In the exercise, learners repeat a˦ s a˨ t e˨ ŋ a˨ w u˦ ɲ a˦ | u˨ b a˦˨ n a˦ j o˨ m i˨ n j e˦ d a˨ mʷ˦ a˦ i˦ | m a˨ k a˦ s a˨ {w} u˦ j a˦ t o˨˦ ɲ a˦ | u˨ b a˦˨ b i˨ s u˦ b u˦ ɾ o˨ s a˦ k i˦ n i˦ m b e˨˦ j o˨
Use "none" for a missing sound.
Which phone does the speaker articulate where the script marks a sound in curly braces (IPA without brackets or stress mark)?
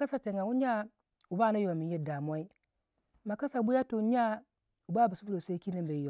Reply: b